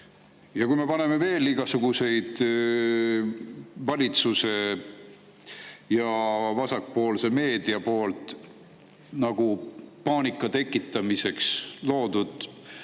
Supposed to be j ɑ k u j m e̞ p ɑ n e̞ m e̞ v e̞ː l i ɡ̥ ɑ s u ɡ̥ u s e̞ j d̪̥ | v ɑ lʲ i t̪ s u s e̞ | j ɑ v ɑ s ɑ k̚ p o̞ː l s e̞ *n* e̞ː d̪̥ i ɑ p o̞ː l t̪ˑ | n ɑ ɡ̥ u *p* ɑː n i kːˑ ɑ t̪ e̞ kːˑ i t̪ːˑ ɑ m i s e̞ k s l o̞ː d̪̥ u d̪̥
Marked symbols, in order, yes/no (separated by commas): no, yes